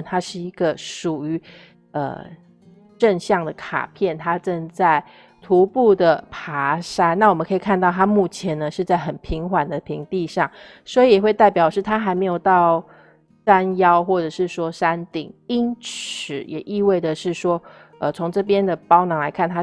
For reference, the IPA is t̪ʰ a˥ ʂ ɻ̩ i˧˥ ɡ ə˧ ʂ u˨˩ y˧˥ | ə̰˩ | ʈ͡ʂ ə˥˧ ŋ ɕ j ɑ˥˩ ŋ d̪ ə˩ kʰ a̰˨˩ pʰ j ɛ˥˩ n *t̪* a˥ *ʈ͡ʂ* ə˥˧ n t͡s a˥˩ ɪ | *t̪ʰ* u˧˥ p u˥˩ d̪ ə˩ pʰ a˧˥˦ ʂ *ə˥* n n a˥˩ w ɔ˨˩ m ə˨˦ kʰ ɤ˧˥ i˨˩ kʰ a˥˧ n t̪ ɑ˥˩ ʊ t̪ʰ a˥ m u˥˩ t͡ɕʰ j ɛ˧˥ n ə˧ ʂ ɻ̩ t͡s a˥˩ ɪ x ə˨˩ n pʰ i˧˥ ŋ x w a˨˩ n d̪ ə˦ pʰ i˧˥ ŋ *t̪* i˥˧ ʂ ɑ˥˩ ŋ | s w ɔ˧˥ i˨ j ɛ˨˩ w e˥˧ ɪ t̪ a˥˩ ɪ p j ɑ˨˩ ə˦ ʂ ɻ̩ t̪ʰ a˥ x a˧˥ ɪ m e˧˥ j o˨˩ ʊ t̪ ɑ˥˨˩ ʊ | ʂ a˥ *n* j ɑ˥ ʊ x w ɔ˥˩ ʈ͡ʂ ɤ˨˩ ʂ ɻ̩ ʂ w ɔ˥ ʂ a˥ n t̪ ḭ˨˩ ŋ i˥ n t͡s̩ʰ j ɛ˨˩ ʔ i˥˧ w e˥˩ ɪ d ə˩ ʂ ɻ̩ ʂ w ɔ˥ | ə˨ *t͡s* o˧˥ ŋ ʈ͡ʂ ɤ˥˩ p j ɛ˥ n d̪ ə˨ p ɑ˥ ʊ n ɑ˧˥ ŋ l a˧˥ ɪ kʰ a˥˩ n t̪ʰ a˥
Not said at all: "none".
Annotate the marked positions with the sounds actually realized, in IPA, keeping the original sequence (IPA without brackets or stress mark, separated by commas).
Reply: t̪ʰ, ʈ͡ʂ, t̪ʰ, a˥, t̪, n, t͡sʰ